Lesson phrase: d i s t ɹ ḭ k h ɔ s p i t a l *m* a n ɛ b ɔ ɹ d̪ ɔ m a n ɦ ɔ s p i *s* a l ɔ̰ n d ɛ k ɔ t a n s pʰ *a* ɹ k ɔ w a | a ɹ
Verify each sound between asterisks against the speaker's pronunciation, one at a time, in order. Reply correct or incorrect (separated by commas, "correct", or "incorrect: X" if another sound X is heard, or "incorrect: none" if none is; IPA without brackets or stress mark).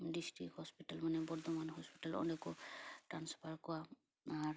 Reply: correct, incorrect: t, correct